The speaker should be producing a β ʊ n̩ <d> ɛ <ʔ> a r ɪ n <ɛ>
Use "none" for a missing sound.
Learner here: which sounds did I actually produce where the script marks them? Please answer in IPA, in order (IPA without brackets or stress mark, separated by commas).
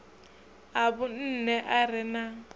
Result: n, ʔ, a